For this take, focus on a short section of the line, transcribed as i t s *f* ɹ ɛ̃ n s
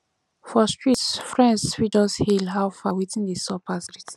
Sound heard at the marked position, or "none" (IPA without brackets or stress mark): f